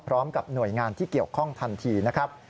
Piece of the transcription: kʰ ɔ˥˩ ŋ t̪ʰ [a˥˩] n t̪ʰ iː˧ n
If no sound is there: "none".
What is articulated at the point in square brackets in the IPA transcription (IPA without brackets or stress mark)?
a˧